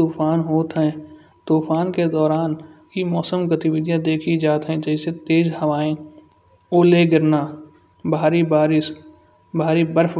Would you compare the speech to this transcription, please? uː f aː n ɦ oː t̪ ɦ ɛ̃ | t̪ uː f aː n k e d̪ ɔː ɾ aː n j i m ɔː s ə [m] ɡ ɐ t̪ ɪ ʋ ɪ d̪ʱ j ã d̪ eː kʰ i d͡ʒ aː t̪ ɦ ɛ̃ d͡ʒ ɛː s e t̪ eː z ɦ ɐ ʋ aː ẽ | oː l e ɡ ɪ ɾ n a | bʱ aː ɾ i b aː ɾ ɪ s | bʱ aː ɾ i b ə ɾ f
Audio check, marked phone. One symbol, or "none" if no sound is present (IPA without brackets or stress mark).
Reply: m